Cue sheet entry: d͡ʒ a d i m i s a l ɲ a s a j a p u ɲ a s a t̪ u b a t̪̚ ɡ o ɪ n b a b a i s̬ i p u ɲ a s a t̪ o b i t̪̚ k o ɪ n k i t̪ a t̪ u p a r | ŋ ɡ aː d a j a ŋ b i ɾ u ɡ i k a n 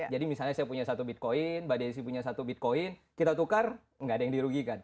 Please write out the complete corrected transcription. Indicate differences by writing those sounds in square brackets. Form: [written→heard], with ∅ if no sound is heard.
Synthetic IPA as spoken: d͡ʒ a d i m i s a l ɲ a s a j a p u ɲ a s a t̪ u b [a→i] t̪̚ [ɡ→k] o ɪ n b a [b→d] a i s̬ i p u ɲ a s a t̪ [o→u] b i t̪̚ k o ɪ n k i t̪ a t̪ u [p→k] a r | ŋ ɡ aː d a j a ŋ [b→d] i ɾ u ɡ i k a n